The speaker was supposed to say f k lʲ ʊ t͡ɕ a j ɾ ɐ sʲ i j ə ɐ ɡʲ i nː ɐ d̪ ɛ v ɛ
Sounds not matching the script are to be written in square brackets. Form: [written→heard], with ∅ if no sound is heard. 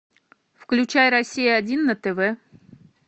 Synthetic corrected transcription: f k lʲ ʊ t͡ɕ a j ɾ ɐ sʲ i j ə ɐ [ɡʲ→dʲ] i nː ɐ [d̪→t̪] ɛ v ɛ